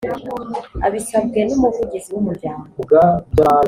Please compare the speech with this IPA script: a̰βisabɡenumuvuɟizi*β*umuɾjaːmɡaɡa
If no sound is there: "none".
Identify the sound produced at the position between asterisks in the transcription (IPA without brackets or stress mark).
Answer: w